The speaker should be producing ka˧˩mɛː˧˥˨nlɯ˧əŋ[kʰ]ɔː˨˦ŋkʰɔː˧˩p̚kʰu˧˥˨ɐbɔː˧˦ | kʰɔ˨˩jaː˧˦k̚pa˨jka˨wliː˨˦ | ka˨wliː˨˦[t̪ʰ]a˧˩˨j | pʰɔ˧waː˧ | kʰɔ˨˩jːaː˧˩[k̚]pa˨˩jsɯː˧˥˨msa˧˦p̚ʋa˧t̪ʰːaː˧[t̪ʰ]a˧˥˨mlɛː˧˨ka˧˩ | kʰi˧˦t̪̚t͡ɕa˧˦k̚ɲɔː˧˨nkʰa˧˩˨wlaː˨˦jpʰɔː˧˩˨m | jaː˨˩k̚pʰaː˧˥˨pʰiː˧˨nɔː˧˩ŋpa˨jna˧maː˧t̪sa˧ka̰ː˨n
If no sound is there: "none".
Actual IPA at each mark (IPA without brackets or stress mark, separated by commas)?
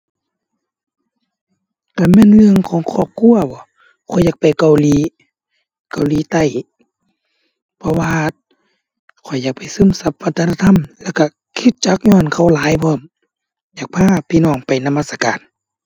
kʰ, t̪, k̚, t̪ʰ